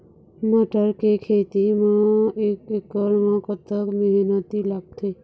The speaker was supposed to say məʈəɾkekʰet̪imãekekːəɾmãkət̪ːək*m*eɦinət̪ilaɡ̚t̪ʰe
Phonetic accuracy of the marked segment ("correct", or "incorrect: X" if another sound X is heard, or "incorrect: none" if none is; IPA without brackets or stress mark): correct